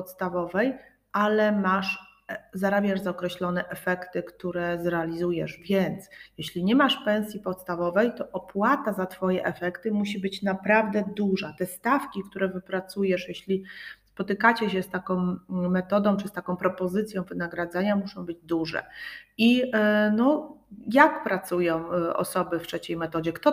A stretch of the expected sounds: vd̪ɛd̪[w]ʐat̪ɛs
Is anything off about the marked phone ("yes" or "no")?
yes